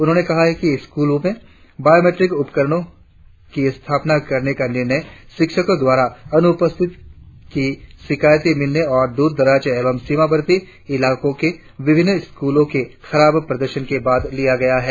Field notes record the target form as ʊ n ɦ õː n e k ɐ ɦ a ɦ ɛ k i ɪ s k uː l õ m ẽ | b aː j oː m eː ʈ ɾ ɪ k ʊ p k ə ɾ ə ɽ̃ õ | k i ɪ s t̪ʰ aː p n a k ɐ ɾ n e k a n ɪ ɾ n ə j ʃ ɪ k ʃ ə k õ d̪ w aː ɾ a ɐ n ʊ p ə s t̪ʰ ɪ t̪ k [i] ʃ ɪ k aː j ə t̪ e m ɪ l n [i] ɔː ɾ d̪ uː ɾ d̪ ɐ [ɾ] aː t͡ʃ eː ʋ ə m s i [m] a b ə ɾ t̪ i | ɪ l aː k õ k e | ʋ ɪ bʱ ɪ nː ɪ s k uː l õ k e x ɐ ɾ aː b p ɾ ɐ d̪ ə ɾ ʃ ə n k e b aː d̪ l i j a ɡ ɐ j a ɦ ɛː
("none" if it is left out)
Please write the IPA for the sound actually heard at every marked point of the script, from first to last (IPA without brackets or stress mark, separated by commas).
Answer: i, e, ɾ, m